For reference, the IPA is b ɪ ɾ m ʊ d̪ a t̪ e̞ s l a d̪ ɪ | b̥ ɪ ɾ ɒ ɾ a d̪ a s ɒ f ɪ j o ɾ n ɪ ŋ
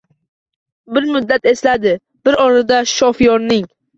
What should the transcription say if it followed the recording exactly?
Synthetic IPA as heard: b ɪ ɾ m ʊ d̪ː a t̪ e̞ s l a d̪ ɪ | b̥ ɪ ɾ ɒ ɾ a d̪ a ʃ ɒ f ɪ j ɒ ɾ n ɪ ŋ